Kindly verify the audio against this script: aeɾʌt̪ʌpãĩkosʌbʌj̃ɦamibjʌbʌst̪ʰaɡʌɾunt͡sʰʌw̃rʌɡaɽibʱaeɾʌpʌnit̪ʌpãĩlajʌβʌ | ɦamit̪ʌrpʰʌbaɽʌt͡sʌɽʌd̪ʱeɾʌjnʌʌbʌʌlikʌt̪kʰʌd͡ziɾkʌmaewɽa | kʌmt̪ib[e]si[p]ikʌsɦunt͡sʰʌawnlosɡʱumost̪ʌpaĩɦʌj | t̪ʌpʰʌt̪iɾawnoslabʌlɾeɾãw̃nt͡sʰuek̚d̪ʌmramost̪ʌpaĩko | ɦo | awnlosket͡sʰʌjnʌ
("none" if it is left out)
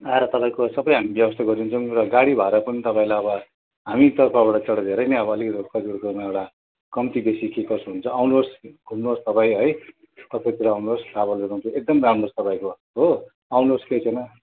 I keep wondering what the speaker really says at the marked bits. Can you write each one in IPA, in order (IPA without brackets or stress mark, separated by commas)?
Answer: e, k